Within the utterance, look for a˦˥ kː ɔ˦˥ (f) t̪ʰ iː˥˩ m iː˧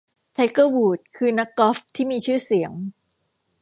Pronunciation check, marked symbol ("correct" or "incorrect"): correct